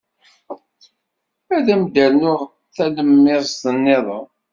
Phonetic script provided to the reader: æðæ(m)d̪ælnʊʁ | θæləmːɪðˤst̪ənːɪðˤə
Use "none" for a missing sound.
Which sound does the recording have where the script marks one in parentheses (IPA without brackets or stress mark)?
m